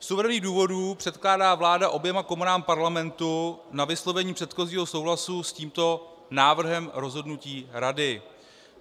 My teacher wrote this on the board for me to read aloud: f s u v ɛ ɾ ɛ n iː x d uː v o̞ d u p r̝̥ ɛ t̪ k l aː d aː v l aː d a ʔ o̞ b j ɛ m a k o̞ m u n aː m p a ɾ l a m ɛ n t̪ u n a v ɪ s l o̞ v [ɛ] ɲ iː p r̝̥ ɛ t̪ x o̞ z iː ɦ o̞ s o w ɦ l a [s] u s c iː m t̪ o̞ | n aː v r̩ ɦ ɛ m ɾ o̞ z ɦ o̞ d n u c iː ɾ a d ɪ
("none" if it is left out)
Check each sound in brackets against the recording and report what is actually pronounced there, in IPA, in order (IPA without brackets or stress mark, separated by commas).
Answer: ɛ, s